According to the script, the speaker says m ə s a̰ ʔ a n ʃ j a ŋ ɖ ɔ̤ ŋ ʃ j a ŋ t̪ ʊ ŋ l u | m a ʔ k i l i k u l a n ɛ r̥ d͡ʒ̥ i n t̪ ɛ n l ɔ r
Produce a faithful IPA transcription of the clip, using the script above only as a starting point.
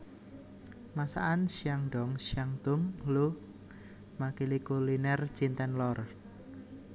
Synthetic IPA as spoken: m a s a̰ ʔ a n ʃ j a ŋ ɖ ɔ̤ ŋ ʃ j a ŋ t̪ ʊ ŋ l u | m a k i l i k u l i n ɛ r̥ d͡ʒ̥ i n t̪ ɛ n l ɔ r